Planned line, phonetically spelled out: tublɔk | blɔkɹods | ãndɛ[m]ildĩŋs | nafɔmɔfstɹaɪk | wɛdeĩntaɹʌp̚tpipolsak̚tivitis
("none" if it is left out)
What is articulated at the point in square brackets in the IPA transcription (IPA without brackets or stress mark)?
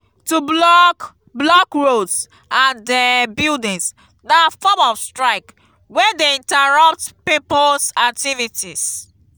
b